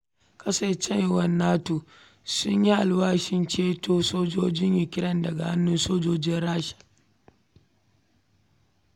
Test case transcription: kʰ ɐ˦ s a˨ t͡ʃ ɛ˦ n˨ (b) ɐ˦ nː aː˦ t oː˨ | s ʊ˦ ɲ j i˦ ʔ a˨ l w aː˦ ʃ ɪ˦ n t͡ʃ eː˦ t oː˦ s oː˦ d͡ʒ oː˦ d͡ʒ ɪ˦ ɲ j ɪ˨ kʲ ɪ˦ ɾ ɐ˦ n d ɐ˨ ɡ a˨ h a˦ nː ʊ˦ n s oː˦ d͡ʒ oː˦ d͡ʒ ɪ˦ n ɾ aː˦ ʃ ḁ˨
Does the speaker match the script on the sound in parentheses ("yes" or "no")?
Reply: no